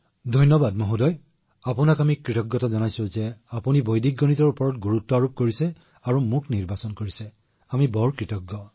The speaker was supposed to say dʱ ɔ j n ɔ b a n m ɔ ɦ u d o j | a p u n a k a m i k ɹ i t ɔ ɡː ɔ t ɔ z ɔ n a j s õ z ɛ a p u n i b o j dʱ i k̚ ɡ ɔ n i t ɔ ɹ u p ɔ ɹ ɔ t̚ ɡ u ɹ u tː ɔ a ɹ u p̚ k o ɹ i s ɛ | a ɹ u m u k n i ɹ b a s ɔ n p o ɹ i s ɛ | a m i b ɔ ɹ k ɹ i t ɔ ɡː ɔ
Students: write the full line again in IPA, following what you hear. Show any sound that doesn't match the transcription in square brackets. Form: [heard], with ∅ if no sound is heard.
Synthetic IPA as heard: dʱ ɔ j n ɔ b a [d] m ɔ ɦ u d [ɔ] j | a p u n a k a m i k ɹ i t ɔ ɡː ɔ t ɔ z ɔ n a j s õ z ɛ a p u n i b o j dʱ i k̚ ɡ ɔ n i t ɔ ɹ u p ɔ ɹ ɔ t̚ ɡ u ɹ u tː ɔ a ɹ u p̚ k o ɹ i s ɛ | a ɹ u m u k n i ɹ b a s ɔ n [k] o ɹ i s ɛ | a m i b ɔ ɹ k ɹ i t ɔ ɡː ɔ